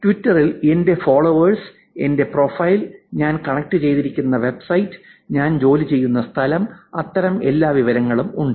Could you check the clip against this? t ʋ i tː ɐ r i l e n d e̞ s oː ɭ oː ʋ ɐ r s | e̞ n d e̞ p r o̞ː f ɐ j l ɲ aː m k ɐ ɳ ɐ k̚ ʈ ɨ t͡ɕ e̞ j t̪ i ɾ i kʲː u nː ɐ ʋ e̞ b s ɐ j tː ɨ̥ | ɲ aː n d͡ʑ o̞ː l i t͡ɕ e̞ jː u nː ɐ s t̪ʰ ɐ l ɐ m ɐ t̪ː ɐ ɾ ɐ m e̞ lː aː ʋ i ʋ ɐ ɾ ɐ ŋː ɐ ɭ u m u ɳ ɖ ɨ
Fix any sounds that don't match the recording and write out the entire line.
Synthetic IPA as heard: t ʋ i tː ɐ r i l e n d e̞ f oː ɭ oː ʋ ɐ r s | e̞ n d e̞ p r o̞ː f ɐ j l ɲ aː n k ɐ ɳ ɐ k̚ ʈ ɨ t͡ɕ e̞ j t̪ i ɾ i kʲː u nː ɐ ʋ e̞ b s ɐ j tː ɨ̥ | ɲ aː n d͡ʑ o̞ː l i t͡ɕ e̞ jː u nː ɐ s t̪ʰ ɐ l ɐ m ɐ t̪ː ɐ ɾ ɐ m e̞ lː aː ʋ i ʋ ɐ ɾ ɐ ŋː ɐ ɭ u m u ɳ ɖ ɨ